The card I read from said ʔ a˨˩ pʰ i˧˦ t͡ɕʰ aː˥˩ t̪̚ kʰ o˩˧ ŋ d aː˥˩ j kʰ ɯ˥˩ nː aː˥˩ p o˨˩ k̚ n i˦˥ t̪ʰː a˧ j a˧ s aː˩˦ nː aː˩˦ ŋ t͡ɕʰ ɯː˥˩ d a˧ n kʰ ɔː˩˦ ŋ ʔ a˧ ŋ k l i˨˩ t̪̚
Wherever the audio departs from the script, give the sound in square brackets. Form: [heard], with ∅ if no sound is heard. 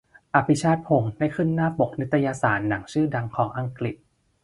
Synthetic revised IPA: ʔ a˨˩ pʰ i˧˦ t͡ɕʰ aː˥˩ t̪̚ [pʰ] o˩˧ ŋ d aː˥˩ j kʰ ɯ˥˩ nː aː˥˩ p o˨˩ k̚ n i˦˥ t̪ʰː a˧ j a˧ s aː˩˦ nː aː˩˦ ŋ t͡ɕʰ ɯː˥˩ d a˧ [ŋ] kʰ ɔː˩˦ ŋ ʔ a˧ ŋ k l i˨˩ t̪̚

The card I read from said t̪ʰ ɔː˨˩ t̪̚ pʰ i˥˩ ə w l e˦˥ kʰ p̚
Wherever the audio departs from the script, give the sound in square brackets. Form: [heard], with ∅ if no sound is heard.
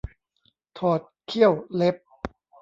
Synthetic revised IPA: t̪ʰ ɔː˨˩ t̪̚ [kʰ] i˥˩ ə w l e˦˥ [∅] p̚

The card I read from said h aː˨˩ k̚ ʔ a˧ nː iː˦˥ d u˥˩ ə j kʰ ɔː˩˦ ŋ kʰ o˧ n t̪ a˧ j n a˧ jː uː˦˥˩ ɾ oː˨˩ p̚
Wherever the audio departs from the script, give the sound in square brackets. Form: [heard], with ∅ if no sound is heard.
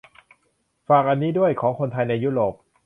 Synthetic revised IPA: [f] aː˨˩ k̚ ʔ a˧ nː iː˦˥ d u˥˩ ə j kʰ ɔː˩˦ ŋ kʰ o˧ n [t̪ʰ] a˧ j n a˧ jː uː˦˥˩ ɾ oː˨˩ p̚

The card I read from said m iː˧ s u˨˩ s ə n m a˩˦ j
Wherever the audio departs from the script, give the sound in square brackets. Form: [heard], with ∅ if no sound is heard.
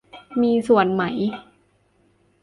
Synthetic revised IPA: m iː˧ s u˨˩ [∅] ə n m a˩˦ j

